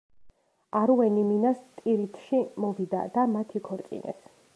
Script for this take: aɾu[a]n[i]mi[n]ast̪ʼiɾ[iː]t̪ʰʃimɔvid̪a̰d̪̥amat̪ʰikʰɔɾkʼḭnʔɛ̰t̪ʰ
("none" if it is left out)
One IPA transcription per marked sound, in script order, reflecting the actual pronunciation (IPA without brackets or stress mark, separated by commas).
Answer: ɛ, i, n, i